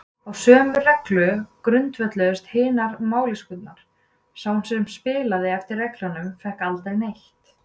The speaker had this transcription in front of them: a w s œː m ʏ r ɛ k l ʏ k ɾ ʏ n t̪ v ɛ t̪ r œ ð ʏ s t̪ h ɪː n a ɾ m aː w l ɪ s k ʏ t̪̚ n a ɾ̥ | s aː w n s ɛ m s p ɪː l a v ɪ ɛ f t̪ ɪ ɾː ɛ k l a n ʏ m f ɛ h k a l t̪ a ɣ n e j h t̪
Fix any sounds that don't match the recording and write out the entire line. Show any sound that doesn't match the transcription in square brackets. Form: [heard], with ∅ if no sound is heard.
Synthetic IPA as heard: a w s œː m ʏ r ɛ k l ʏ k ɾ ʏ n t̪ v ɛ t̪ [l] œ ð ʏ s t̪ h ɪː n a ɾ m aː w l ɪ s k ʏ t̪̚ n a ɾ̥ | s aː w n s ɛ m s p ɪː l a [ð] ɪ ɛ f t̪ ɪ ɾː ɛ k l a n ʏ m f ɛ h k a l t̪ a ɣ n e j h t̪